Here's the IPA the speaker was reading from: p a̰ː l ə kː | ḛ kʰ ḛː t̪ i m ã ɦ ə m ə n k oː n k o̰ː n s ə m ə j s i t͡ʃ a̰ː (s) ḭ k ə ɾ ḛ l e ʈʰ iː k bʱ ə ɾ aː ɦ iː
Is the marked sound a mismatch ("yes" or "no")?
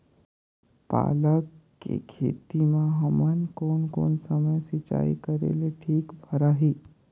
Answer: yes